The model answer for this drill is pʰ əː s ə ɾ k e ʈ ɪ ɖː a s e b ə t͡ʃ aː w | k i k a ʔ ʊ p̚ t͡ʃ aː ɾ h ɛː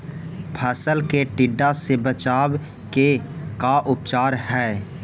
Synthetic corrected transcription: pʰ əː s ə l k e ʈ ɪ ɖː a s e b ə t͡ʃ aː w | k e k a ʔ ʊ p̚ t͡ʃ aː ɾ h ɛː